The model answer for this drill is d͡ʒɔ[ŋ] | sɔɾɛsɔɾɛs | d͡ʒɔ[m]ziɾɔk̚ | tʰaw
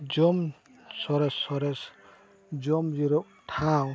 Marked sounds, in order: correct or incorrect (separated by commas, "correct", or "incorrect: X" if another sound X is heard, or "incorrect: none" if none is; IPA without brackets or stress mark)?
incorrect: m, correct